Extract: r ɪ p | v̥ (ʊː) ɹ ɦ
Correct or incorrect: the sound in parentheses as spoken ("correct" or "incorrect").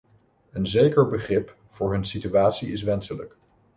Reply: correct